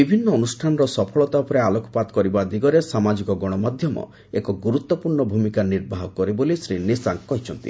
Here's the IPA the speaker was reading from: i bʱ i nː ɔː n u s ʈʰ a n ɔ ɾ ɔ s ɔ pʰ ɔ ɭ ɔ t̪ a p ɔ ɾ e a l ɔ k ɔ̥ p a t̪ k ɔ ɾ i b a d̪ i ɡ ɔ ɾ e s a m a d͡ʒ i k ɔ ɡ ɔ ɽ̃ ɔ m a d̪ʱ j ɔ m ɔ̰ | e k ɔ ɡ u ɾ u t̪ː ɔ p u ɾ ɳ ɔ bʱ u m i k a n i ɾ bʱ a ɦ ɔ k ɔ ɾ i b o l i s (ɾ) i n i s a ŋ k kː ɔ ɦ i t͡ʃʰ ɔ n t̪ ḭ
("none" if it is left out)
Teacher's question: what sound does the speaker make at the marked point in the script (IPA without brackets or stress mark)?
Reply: ɾ